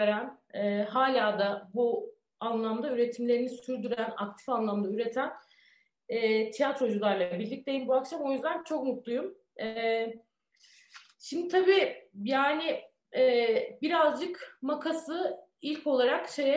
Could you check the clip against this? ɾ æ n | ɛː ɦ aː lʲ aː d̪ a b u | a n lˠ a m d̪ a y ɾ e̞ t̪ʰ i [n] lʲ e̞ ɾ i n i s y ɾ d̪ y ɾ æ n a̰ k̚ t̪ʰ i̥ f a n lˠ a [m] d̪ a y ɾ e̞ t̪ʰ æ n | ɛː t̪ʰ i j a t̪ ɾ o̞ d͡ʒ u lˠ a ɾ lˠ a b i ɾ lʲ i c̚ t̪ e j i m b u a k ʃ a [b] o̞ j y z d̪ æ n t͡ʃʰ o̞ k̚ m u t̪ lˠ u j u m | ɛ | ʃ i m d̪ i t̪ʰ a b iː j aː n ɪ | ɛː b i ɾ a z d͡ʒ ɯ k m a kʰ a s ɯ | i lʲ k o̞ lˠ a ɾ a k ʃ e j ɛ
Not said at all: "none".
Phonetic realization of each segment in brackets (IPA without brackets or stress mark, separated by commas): m, m, m